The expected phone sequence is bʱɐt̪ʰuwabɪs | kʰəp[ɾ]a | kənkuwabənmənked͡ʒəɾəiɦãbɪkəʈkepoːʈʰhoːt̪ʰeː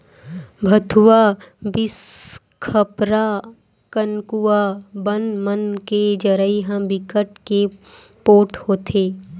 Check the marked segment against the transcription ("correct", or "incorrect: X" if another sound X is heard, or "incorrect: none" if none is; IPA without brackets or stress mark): correct